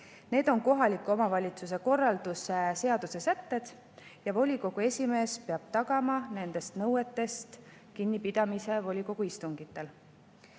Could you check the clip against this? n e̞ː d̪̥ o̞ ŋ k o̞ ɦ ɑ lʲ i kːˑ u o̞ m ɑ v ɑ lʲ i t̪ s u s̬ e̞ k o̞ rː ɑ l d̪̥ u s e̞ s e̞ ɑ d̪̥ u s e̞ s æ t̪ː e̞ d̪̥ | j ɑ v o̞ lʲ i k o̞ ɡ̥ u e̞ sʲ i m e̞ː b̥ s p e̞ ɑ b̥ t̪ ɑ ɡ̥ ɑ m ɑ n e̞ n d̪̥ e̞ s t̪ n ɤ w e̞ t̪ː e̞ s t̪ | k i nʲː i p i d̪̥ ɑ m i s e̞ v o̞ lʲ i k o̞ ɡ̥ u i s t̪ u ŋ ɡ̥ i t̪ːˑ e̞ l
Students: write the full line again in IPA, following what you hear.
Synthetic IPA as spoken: n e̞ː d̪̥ o̞ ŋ k o̞ ɦ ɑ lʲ i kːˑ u o̞ m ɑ v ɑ lʲ i t̪ s u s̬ e̞ k o̞ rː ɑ l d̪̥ u s e̞ s e̞ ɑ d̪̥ u s e̞ s æ t̪ː e̞ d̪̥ | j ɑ v o̞ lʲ i k o̞ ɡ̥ u e̞ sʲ i m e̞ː s p e̞ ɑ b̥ t̪ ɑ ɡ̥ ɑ m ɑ n e̞ n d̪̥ e̞ s t̪ n ɤ w e̞ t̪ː e̞ s t̪ | k i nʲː i p i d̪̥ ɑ m i s e̞ v o̞ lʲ i k o̞ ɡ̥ u i s t̪ u ŋ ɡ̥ i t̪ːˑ e̞ l